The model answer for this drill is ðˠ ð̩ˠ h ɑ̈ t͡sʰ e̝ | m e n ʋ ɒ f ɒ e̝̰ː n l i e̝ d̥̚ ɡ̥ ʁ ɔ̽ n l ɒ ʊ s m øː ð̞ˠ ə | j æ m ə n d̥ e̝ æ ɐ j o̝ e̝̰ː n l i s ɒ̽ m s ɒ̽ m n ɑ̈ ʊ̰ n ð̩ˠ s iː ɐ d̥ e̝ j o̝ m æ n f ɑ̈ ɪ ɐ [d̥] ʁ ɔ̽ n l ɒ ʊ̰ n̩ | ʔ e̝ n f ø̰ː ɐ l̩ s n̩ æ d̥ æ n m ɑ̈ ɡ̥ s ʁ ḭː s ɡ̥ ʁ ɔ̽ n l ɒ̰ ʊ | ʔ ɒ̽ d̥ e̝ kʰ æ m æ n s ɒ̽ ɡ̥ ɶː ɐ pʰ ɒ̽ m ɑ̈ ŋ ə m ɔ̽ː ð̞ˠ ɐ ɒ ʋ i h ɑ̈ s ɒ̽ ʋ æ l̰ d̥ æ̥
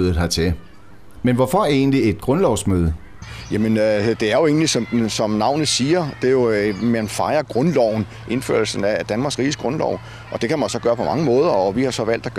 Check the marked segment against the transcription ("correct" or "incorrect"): incorrect